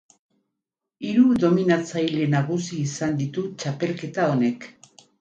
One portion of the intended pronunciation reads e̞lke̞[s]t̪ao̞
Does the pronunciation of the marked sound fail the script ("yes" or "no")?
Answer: yes